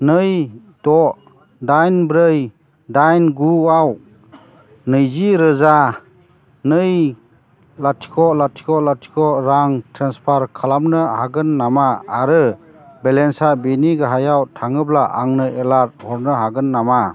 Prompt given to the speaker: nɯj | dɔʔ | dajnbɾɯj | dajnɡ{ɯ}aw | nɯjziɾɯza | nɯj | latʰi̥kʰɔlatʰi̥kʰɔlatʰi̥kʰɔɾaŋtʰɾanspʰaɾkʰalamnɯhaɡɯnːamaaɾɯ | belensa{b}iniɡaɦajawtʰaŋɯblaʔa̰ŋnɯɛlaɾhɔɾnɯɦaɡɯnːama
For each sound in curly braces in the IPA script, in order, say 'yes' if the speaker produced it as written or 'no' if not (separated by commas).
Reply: no, yes